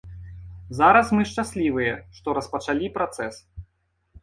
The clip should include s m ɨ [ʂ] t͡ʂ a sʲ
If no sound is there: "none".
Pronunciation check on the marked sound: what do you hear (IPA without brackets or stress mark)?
ʂ